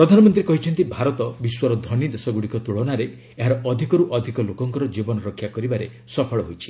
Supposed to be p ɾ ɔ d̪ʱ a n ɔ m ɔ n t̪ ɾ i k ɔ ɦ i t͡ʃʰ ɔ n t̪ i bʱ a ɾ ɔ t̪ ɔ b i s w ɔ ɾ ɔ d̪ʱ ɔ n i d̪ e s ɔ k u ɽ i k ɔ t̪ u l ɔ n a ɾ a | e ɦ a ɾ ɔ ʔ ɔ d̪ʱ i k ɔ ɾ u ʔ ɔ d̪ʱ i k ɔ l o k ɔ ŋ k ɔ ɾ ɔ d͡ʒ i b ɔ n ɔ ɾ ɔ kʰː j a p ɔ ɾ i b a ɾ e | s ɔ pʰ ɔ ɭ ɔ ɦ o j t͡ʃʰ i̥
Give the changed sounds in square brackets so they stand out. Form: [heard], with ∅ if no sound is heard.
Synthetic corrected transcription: p ɾ ɔ d̪ʱ a n ɔ m ɔ n t̪ ɾ i k ɔ ɦ i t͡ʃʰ ɔ n t̪ i bʱ a ɾ ɔ t̪ ɔ b i s w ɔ ɾ ɔ d̪ʱ ɔ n i d̪ e s ɔ [ɡ] u ɽ i k ɔ t̪ u [ɭ] ɔ n a ɾ [e] | e ɦ a ɾ ɔ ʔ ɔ d̪ʱ i k ɔ ɾ u ʔ ɔ d̪ʱ i k ɔ l o k ɔ ŋ k ɔ ɾ ɔ d͡ʒ i b ɔ n ɔ ɾ ɔ kʰː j a [k] ɔ ɾ i b a ɾ e | s ɔ pʰ ɔ ɭ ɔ ɦ o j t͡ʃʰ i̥

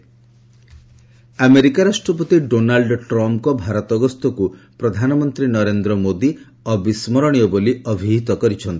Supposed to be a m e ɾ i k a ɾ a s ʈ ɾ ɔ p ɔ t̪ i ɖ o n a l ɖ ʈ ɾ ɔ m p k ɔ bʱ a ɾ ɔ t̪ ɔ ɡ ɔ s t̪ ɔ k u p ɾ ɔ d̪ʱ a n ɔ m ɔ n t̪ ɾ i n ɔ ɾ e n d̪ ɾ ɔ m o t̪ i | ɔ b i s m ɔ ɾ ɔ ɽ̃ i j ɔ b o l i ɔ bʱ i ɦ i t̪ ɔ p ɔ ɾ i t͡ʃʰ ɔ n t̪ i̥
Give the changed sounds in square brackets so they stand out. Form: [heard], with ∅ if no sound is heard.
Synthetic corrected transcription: a m e ɾ i k a ɾ a s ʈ ɾ ɔ p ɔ t̪ i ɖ o n a l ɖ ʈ ɾ ɔ m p k ɔ bʱ a ɾ ɔ t̪ ɔ ɡ ɔ s t̪ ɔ k u p ɾ ɔ d̪ʱ a n ɔ m ɔ n t̪ ɾ i n ɔ ɾ e n d̪ ɾ ɔ m o [d̪] i | ɔ b i s m ɔ ɾ ɔ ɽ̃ i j ɔ b o l i ɔ bʱ i ɦ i t̪ ɔ [k] ɔ ɾ i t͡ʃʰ ɔ n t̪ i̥

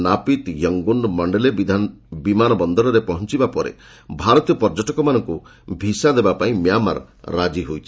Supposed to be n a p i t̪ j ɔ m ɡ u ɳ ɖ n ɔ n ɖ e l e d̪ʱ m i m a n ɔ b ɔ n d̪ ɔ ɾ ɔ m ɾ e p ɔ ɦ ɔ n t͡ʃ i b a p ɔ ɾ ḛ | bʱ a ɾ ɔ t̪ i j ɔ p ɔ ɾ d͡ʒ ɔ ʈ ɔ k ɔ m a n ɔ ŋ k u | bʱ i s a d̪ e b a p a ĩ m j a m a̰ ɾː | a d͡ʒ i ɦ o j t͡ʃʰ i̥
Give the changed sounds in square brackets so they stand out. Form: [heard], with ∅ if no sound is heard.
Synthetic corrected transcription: n a p i t̪ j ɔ [ŋ] ɡ u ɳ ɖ [m] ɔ [ɳ] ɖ e l e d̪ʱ [b] i m a n ɔ b ɔ n d̪ ɔ ɾ ɔ [∅] ɾ e p ɔ ɦ ɔ n t͡ʃ i b a p ɔ ɾ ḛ | bʱ a ɾ ɔ t̪ i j ɔ p ɔ ɾ d͡ʒ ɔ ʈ ɔ k ɔ m a n ɔ ŋ k u | bʱ i s a d̪ e b a p a ĩ m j a m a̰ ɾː | a d͡ʒ i ɦ o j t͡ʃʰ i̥

